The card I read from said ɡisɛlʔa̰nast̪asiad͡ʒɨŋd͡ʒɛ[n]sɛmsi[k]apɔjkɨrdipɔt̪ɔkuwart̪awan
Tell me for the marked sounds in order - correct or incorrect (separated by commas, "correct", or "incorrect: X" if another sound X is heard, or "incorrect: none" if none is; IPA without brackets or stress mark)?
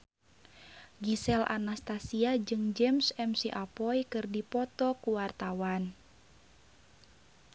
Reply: incorrect: m, incorrect: ʔ